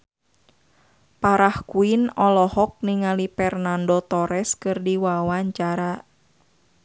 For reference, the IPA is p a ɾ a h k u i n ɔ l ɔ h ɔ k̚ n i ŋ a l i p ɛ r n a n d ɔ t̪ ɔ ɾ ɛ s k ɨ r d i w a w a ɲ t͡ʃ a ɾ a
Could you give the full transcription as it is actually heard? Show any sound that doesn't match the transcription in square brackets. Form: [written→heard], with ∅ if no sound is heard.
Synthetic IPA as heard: p a ɾ a h k u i n ɔ l ɔ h ɔ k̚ n i ŋ a l i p ɛ r n a n d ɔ t̪ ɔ ɾ ɛ s k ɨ r d i w a w a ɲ t͡ʃ a ɾ a

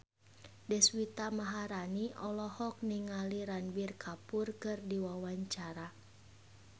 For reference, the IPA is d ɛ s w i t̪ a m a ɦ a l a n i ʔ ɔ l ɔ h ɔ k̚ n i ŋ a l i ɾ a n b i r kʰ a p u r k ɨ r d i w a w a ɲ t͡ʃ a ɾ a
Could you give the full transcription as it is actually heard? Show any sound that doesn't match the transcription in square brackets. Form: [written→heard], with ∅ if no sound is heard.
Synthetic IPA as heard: d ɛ s w i t̪ a m a ɦ a [l→ɾ] a n i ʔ ɔ l ɔ h ɔ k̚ n i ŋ a l i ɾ a n b i r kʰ a p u r k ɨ r d i w a w a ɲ t͡ʃ a ɾ a

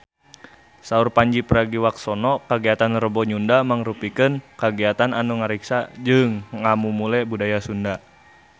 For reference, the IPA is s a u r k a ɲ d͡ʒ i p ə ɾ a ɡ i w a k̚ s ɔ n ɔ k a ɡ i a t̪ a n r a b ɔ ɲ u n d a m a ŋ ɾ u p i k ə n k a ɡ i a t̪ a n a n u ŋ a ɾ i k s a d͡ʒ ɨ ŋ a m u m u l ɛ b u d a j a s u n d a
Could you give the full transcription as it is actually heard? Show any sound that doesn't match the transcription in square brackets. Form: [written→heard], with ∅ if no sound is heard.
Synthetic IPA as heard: s a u r [k→p] a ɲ d͡ʒ i p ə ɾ a ɡ i w a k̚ s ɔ n ɔ k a ɡ i a t̪ a n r [a→ə] b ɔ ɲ u n d a m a ŋ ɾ u p i k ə n k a ɡ i a t̪ a n a n u ŋ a ɾ i k s a d͡ʒ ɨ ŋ a m u m u l ɛ b u d a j a s u n d a

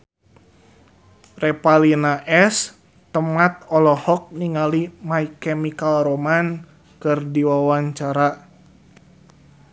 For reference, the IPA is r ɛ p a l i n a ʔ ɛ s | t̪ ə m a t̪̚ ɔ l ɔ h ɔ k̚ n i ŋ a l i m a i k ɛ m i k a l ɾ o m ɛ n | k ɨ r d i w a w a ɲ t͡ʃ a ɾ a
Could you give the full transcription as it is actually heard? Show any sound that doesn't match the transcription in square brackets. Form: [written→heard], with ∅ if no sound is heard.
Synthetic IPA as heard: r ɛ p a l i n a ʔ ɛ s | t̪ ə m a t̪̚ ɔ l ɔ h ɔ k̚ n i ŋ a l i m a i k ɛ m i k a l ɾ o m [ɛ→a] n | k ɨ r d i w a w a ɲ t͡ʃ a ɾ a

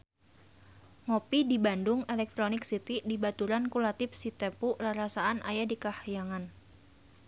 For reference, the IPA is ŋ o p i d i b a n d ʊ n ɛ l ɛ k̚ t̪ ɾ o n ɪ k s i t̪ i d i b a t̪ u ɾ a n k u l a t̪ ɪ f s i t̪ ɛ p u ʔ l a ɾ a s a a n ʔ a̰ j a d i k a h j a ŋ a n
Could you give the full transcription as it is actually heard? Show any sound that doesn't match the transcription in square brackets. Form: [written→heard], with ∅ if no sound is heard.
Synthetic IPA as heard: ŋ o p i d i b a n d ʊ [n→ŋ] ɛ l ɛ k̚ t̪ ɾ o n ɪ k s i t̪ i d i b a t̪ u ɾ a n k u l a t̪ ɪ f s i t̪ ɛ p u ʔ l a ɾ a s a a n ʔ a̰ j a d i k a h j a ŋ a n

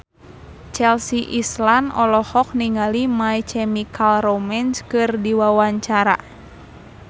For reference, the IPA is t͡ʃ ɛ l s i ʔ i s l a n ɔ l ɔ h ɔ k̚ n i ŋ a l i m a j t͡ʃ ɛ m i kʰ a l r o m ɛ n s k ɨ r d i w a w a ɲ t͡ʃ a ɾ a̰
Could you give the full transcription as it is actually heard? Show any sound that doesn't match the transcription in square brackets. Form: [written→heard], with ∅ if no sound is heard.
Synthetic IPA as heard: t͡ʃ ɛ l s i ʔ i s l a n ɔ l ɔ h ɔ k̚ n i ŋ a l i m a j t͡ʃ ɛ m i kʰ a l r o m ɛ n s k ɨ r d i w a w a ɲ t͡ʃ a ɾ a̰

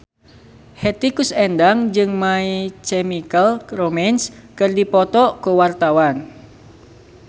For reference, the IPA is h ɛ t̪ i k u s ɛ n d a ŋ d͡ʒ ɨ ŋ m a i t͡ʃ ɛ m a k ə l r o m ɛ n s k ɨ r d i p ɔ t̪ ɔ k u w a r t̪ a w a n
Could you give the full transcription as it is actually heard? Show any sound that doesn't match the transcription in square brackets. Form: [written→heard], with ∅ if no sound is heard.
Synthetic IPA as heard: h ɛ t̪ i k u s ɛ n d a ŋ d͡ʒ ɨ ŋ m a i t͡ʃ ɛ m [a→i] k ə l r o m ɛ n s k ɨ r d i p ɔ t̪ ɔ k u w a r t̪ a w a n

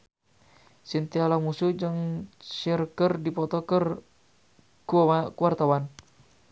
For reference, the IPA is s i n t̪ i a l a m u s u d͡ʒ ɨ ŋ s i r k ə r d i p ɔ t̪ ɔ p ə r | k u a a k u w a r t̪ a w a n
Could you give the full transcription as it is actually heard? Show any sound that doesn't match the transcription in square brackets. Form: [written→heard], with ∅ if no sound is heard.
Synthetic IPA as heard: s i n t̪ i a l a m u s u d͡ʒ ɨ ŋ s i r k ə r d i p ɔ t̪ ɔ [p→k] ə r | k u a a k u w a r t̪ a w a n

